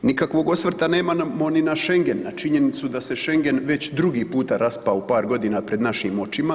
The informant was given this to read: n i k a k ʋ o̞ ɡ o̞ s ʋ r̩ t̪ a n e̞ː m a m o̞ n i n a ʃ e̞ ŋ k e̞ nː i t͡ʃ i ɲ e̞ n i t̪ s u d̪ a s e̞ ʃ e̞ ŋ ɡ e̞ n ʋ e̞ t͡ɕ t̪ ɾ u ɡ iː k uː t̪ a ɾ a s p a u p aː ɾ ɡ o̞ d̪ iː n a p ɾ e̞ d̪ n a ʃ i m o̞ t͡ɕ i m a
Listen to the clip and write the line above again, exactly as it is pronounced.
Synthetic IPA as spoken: n i k a k ʋ o̞ ɡ o̞ s ʋ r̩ t̪ a n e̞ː m a m o̞ n i n a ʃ e̞ ŋ ɡ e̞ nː a t͡ʃ i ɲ e̞ n i t̪ s u d̪ a s e̞ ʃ e̞ ŋ ɡ e̞ n ʋ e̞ t͡ɕ d̪ ɾ u ɡ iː p uː t̪ a ɾ a s p a u p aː ɾ ɡ o̞ d̪ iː n a p ɾ e̞ d̪ n a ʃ i m o̞ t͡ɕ i m a